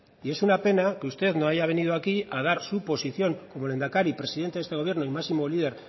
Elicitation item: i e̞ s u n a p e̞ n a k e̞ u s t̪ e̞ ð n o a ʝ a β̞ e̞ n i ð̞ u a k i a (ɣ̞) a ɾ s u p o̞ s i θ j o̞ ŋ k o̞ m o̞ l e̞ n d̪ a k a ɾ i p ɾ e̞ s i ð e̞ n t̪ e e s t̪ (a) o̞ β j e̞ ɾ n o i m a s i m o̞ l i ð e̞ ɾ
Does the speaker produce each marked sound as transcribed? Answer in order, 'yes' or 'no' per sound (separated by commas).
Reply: no, no